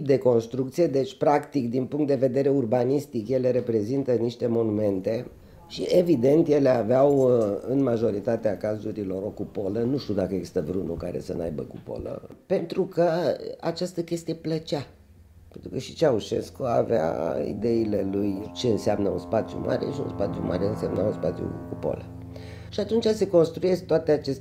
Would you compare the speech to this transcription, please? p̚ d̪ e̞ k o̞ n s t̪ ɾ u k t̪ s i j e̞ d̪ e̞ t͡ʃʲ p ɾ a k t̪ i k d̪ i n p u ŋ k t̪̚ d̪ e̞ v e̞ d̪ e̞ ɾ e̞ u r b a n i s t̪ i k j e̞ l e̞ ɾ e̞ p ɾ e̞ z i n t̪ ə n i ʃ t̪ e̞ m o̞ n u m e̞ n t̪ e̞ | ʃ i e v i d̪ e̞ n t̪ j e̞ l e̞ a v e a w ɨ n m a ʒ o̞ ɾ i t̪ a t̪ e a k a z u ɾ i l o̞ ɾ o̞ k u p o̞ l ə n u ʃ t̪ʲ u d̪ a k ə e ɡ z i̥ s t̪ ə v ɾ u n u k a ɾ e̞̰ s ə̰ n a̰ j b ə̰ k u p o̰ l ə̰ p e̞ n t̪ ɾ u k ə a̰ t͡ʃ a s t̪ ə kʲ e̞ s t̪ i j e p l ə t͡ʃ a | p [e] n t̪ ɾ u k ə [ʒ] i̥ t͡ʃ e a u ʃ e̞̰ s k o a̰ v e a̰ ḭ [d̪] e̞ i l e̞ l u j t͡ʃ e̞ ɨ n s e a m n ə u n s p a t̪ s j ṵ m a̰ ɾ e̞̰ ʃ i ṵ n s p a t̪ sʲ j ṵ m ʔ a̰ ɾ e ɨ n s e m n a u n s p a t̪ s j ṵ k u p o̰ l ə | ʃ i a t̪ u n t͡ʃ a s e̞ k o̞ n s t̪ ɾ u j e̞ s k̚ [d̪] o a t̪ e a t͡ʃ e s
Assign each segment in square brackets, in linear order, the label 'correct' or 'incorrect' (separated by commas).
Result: correct, incorrect, correct, incorrect